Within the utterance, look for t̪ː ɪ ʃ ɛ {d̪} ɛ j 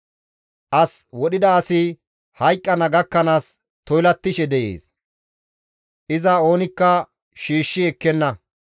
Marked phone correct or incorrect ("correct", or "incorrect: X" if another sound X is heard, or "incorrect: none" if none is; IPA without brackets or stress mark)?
correct